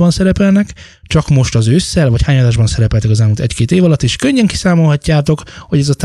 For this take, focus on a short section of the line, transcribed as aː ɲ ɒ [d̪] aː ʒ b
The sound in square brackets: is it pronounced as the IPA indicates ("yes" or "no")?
yes